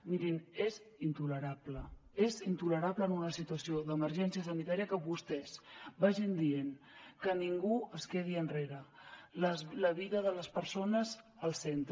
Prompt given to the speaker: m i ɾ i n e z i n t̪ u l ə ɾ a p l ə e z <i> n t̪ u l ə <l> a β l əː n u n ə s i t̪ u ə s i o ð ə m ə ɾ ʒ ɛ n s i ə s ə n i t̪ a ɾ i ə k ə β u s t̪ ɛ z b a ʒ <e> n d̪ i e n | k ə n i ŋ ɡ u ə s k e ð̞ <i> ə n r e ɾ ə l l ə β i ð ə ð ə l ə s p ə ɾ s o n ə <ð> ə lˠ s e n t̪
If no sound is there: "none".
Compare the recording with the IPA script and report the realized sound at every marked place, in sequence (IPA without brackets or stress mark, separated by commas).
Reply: i, ɾ, i, i, z